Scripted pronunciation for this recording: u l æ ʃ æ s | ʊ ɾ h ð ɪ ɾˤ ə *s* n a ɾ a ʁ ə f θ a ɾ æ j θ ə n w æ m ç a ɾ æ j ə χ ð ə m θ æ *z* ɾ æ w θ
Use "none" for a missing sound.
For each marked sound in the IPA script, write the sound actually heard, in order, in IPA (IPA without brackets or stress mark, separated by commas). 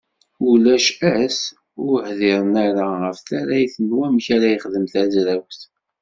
none, z